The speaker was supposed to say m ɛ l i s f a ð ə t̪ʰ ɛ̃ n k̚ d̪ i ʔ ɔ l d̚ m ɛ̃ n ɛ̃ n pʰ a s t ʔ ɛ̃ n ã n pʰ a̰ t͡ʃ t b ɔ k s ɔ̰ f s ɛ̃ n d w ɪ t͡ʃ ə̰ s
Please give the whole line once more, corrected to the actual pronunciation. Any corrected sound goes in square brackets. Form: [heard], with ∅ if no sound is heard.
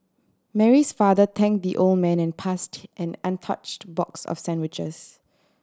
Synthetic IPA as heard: m ɛ [ɹ] i s f a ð ə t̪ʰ ɛ̃ [ŋ] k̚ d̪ i ʔ [o] l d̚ m ɛ̃ n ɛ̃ n pʰ a s t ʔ ɛ̃ n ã n [tʰ] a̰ t͡ʃ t b ɔ k s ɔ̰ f s ɛ̃ n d w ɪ t͡ʃ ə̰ s